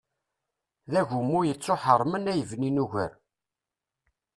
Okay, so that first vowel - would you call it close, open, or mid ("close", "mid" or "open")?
open